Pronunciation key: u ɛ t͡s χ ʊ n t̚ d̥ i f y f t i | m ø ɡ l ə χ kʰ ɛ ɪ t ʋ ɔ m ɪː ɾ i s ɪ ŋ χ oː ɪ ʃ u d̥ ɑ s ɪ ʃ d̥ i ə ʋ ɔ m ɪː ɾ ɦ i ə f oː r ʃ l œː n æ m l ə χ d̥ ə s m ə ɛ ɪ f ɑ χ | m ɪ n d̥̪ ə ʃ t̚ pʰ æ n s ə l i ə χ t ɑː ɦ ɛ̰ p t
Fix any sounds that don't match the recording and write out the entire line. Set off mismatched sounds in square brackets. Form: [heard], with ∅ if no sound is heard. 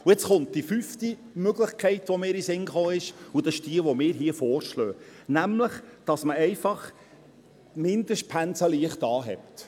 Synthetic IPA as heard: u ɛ t͡s χ ʊ n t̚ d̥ i f y f t i | m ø ɡ l ə χ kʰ ɛ ɪ t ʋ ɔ m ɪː ɾ i s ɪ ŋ χ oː ɪ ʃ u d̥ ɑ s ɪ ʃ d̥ i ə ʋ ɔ m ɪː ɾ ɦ i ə f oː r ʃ l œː n æ m l ə χ d̥ [ɑ] s m ə ɛ ɪ f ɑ χ | m ɪ n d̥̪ ə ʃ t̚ pʰ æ n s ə l i ə χ t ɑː ɦ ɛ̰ p t

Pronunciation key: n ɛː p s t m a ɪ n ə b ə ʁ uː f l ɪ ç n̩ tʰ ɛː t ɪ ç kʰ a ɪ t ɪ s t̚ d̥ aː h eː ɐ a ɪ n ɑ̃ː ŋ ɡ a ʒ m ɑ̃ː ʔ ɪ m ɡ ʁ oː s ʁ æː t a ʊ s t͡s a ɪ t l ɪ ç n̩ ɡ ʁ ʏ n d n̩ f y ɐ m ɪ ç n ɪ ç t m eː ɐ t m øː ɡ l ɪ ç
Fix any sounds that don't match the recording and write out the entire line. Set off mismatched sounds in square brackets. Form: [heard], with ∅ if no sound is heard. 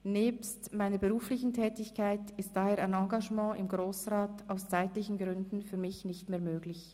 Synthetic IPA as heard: n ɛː p s t m a ɪ n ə b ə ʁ uː f l ɪ ç n̩ tʰ ɛː t ɪ ç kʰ a ɪ t ɪ s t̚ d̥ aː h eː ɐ a ɪ n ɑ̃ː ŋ ɡ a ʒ m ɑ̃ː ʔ ɪ m ɡ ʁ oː s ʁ [aː] t a ʊ s t͡s a ɪ t l ɪ ç n̩ ɡ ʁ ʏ n d n̩ f [yː] ɐ m ɪ ç n ɪ ç t m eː ɐ [∅] m øː ɡ l ɪ ç

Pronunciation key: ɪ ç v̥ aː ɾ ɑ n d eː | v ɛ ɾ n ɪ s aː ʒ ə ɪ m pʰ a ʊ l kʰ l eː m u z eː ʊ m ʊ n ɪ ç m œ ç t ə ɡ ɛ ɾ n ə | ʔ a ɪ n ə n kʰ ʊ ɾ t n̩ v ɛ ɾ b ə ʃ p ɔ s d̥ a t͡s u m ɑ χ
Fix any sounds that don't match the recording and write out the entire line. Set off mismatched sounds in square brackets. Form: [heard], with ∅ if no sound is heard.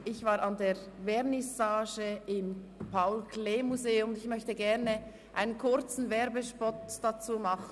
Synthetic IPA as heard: ɪ ç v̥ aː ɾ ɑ n d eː | v ɛ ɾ n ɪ s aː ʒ ə ɪ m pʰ a ʊ l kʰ l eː m u z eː ʊ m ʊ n ɪ ç m œ ç t ə ɡ ɛ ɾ n ə | ʔ a ɪ n ə n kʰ ʊ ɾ [t͡s] n̩ v ɛ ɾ b ə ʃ p ɔ [t] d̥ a t͡s [uː] m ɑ χ

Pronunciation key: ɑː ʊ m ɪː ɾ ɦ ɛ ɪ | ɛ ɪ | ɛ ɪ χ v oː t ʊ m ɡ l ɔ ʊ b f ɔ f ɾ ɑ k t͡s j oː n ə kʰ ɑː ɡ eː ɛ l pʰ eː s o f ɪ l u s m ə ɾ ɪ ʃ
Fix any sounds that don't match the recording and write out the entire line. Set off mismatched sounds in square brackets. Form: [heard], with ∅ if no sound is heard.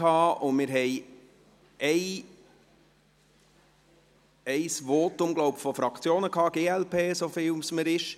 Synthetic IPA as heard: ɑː ʊ m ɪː ɾ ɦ ɛ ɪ | ɛ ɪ | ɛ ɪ [s] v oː t ʊ m ɡ l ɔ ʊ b f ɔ f ɾ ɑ k t͡s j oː n ə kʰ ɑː ɡ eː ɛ l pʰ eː s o f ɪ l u s m ə ɾ ɪ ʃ

